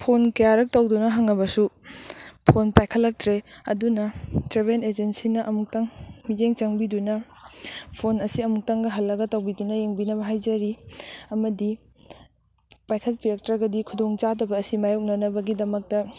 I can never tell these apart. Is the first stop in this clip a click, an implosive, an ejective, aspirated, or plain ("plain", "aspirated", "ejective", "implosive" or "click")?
aspirated